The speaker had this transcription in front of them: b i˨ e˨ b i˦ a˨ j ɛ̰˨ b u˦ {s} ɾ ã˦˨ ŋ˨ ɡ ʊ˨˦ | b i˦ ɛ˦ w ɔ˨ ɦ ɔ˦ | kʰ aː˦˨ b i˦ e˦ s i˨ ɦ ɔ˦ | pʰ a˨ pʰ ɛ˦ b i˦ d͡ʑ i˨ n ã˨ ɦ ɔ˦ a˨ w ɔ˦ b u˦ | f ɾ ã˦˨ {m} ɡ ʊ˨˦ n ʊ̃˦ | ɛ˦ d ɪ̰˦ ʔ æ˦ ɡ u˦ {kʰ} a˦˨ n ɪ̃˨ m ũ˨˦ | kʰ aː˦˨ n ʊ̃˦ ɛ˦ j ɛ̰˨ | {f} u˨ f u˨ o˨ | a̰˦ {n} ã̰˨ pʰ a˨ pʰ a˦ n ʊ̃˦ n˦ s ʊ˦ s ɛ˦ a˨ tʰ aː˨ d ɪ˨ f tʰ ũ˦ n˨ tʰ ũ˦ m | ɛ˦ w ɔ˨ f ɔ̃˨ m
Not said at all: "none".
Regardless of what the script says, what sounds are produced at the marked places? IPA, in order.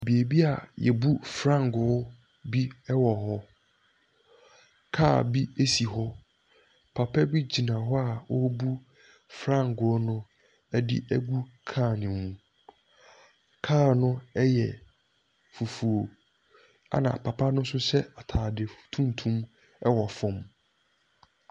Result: f, ŋ, kʰ, f, n

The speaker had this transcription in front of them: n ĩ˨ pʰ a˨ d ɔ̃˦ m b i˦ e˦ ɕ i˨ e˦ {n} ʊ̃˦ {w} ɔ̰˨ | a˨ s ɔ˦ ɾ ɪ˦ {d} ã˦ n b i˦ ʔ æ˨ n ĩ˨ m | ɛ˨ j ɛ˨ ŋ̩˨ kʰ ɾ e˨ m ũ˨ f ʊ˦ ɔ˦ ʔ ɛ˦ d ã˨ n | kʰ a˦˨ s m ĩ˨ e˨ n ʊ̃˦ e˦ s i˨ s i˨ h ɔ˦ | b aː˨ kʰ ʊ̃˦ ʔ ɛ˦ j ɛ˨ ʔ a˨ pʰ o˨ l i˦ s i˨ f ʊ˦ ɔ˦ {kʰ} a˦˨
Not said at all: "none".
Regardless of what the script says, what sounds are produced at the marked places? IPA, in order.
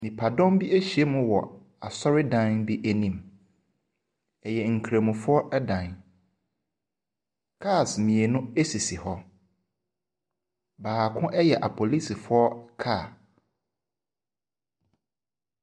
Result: m, w, d, kʰ

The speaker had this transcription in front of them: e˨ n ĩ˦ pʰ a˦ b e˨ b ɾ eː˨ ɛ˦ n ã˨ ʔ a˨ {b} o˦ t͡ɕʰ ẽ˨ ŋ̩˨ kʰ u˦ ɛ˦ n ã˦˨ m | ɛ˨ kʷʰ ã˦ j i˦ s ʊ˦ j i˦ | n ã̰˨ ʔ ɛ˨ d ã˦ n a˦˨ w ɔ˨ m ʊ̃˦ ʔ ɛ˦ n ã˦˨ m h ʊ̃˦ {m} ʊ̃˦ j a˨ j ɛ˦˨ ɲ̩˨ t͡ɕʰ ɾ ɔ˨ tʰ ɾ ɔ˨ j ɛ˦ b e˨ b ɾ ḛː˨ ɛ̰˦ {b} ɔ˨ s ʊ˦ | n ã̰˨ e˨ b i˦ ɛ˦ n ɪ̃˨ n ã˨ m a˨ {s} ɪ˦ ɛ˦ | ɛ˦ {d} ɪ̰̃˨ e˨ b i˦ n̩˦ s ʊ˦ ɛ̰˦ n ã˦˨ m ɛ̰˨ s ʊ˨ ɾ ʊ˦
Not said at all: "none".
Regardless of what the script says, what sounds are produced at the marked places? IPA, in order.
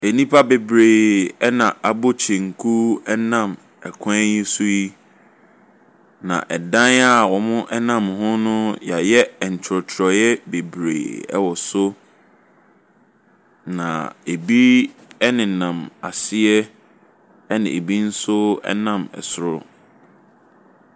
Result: b, n, w, s, n

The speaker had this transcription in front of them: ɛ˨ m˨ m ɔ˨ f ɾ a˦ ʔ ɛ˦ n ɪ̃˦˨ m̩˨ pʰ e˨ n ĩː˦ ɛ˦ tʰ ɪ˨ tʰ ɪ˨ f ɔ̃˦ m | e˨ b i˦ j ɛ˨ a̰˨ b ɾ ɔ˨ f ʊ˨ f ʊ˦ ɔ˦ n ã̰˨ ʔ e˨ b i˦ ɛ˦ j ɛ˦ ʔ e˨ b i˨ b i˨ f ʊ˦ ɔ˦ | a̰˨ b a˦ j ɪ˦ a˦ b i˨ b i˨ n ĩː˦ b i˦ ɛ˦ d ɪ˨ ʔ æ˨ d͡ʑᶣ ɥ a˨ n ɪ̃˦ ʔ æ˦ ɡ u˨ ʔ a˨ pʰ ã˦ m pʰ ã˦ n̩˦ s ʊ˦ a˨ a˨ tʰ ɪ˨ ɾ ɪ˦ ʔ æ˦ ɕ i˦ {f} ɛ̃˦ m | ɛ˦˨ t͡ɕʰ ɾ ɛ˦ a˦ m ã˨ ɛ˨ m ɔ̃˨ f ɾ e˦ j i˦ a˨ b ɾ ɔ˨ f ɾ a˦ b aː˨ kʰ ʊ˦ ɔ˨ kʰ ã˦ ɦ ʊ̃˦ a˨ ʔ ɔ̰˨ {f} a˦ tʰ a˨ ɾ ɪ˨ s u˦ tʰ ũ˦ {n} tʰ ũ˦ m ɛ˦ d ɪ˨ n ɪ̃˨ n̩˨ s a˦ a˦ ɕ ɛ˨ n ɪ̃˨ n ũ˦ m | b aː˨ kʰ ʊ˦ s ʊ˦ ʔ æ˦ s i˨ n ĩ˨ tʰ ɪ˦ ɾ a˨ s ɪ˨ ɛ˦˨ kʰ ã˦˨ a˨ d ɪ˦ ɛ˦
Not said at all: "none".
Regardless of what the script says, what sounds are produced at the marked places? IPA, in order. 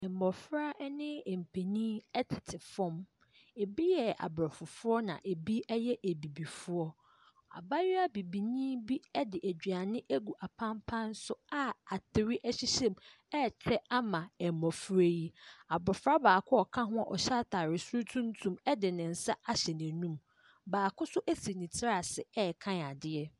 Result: ɕ, ɕ, n

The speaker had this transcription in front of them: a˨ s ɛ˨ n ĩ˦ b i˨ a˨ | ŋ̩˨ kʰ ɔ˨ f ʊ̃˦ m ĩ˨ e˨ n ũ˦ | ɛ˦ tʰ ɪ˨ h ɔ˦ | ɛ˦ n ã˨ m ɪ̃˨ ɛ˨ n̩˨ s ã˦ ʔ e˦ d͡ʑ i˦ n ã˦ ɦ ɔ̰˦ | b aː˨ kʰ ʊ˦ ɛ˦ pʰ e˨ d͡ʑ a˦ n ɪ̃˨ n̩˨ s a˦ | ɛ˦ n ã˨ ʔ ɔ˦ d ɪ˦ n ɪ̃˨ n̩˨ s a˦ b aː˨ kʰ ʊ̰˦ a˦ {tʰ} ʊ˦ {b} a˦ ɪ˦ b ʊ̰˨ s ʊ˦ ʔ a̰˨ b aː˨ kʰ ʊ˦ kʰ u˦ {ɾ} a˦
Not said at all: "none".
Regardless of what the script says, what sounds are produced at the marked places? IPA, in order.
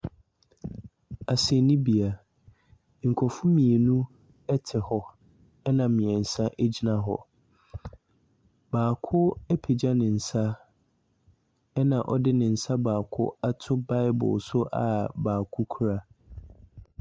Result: tʰ, b, ɾ

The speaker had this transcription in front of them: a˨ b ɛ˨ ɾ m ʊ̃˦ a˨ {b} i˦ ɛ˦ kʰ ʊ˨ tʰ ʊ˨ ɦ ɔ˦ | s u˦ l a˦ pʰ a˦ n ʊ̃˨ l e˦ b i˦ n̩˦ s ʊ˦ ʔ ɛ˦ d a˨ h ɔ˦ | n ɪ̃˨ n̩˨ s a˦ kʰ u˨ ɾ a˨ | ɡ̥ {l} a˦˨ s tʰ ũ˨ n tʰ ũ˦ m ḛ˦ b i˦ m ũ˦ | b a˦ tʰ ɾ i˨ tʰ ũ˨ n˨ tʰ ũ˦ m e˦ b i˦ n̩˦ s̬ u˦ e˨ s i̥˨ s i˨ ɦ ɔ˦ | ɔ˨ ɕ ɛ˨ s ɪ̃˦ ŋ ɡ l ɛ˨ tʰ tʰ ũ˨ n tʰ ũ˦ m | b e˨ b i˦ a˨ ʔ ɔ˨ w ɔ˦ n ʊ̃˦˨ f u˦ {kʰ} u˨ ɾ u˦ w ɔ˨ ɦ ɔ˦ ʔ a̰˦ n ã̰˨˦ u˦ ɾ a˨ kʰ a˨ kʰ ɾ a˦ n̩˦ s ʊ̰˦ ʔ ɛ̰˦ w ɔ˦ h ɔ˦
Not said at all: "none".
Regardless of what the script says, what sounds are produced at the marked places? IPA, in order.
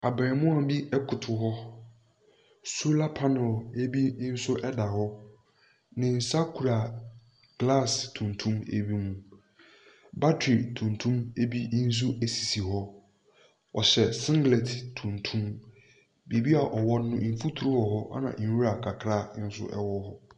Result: b, l, tʰ

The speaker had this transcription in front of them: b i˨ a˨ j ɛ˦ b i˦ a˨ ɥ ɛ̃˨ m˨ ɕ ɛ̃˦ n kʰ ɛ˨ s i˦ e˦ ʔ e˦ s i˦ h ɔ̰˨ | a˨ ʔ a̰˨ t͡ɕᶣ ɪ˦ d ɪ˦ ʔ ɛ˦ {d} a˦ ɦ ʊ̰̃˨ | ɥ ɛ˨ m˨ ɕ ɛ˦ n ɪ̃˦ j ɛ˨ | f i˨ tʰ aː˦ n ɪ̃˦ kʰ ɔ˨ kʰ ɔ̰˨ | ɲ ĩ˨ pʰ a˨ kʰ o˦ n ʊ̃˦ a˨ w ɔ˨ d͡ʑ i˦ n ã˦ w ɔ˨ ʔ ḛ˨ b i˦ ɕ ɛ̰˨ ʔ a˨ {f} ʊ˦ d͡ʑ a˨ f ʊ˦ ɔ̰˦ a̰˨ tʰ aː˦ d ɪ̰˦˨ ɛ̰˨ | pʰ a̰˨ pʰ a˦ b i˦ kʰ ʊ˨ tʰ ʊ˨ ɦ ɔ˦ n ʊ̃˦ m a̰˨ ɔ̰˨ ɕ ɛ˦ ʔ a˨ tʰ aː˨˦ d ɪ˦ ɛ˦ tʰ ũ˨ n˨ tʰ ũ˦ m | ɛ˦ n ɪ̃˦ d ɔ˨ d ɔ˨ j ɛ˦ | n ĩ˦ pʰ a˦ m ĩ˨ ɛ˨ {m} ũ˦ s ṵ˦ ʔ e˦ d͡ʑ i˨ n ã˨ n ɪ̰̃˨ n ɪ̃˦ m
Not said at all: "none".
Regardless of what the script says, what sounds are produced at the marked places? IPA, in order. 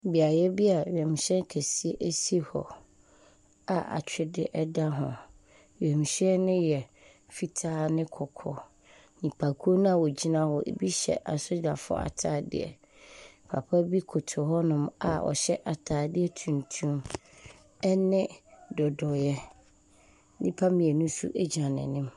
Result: d, s, n

